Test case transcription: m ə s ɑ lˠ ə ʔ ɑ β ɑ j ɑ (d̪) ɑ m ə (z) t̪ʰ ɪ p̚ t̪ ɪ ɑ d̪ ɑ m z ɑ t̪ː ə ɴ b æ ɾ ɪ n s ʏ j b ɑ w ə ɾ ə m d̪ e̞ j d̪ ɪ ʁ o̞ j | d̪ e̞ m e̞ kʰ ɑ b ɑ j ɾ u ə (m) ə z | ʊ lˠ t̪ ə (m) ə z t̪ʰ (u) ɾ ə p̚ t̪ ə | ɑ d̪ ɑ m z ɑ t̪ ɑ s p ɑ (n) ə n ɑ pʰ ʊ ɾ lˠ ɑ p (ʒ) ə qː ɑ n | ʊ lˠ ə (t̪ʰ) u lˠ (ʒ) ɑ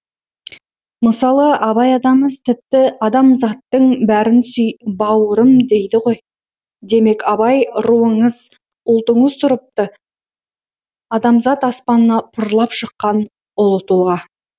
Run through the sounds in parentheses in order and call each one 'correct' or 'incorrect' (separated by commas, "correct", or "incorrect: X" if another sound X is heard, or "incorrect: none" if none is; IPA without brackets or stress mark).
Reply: correct, correct, incorrect: ɴ, incorrect: ɴ, incorrect: ʊ, correct, incorrect: ʃ, incorrect: t̪, incorrect: ʁ